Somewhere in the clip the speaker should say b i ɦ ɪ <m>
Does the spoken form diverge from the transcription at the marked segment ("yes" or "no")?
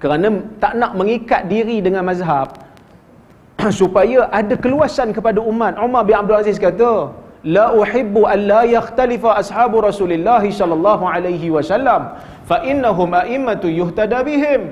no